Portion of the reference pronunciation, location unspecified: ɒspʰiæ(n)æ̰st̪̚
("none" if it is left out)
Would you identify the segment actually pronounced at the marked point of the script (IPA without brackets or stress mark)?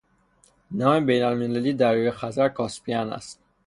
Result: n